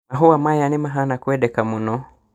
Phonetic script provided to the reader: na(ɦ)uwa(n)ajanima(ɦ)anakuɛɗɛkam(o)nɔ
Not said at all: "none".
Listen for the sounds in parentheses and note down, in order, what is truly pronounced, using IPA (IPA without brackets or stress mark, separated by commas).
ɦ, m, ɦ, u